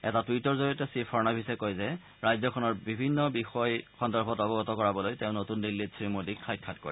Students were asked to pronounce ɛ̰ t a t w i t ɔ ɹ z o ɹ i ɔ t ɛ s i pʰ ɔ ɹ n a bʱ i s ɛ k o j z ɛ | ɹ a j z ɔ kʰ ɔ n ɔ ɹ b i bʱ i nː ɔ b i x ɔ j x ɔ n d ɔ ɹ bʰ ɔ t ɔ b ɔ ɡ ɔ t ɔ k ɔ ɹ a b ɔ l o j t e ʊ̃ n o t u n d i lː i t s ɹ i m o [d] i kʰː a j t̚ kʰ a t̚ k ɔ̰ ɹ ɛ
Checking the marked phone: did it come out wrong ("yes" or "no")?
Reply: no